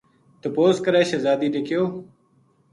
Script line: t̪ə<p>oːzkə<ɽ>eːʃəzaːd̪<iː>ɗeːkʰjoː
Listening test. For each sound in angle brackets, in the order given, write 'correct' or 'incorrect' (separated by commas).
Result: correct, incorrect, correct